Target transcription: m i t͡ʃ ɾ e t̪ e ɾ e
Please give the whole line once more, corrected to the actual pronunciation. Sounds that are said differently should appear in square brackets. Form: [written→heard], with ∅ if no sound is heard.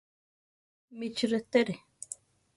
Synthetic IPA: m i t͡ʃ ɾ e t̪ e ɾ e